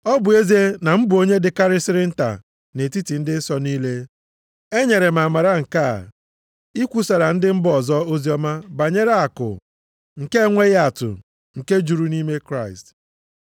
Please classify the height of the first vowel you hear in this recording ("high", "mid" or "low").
mid